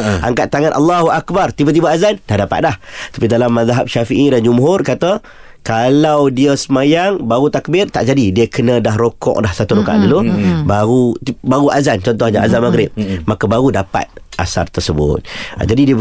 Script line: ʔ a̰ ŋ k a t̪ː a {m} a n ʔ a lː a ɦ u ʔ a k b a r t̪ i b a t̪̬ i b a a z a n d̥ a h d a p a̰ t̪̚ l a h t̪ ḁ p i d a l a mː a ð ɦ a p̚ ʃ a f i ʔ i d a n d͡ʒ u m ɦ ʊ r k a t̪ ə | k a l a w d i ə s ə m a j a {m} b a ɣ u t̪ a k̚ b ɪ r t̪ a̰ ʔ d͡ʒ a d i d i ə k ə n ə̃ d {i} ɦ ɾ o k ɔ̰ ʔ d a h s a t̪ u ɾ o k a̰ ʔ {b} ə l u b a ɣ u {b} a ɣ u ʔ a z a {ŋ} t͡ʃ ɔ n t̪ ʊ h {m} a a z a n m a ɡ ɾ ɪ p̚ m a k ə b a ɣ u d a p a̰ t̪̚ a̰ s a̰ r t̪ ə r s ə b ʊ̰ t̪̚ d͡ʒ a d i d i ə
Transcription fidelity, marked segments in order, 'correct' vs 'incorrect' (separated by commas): incorrect, incorrect, incorrect, incorrect, correct, incorrect, incorrect